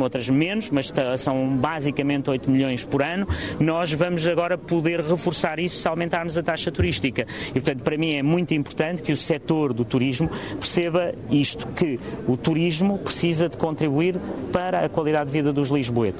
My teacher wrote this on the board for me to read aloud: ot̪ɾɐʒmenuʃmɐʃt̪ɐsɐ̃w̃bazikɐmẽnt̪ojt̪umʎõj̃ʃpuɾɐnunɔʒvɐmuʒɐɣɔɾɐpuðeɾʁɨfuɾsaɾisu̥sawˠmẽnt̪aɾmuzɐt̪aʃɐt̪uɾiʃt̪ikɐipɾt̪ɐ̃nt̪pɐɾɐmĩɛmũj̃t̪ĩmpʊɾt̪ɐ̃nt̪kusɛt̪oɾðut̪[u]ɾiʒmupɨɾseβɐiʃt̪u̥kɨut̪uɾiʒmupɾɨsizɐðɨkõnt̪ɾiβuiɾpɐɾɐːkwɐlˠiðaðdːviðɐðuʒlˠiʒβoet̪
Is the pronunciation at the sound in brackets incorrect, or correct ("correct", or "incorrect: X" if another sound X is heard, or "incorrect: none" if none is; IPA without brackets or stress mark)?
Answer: correct